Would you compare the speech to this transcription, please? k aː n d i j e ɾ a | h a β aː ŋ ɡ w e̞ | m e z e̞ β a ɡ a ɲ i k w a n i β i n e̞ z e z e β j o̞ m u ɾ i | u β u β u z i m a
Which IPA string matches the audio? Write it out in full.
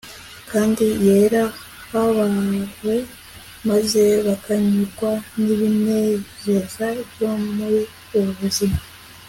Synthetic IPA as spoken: k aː n d i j e ɾ a | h a β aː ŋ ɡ w e̞ | m a z e̞ β a k a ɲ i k w a n i β i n e̞ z e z a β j o̞ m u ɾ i | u β u β u z i m a